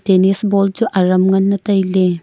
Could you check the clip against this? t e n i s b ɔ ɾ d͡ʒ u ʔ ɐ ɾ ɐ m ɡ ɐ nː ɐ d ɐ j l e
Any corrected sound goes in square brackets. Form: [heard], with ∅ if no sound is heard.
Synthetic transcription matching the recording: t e n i s b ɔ [l] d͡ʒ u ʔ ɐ ɾ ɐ m [ŋ] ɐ nː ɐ [t] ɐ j l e